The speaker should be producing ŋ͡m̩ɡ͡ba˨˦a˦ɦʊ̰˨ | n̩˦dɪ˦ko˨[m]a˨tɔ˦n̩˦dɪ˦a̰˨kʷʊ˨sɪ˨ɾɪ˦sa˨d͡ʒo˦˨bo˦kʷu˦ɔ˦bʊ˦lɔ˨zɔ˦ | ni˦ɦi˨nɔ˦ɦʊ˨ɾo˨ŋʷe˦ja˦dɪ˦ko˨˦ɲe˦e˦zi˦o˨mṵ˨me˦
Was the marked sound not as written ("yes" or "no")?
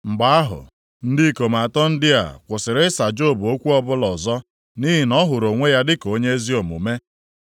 no